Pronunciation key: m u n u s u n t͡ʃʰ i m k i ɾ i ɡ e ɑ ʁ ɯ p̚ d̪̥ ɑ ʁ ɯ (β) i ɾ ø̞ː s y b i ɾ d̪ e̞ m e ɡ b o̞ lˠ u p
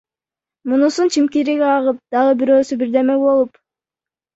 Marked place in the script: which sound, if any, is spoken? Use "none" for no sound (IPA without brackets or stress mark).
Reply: b